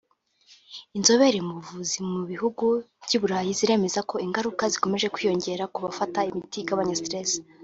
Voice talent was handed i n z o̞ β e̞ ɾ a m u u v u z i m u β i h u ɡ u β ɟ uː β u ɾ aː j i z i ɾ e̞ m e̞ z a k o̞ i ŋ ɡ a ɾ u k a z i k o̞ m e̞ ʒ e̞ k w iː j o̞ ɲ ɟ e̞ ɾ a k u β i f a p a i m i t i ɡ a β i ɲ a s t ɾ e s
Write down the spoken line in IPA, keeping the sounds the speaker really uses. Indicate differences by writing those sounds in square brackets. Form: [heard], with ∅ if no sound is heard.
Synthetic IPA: i n z o̞ β e̞ ɾ [e] m u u v u z i m u β i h u ɡ u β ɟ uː β u ɾ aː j i z i ɾ e̞ m e̞ z a k o̞ i ŋ ɡ a ɾ u k a z i k o̞ m e̞ ʒ e̞ k w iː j o̞ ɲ ɟ e̞ ɾ a k u β [a] f a [t] a i m i t i ɡ a β [a] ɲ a s t ɾ e s